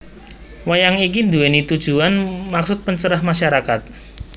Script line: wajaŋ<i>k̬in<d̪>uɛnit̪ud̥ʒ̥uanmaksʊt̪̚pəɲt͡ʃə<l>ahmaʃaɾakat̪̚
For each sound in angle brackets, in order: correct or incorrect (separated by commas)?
correct, correct, incorrect